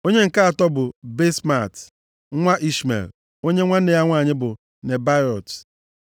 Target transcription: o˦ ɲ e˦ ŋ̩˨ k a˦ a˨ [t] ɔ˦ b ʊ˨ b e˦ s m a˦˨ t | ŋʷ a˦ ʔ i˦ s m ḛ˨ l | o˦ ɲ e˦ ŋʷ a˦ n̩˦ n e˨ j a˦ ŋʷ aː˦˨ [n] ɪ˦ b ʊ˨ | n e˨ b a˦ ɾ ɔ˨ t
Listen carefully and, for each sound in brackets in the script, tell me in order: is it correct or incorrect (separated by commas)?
correct, incorrect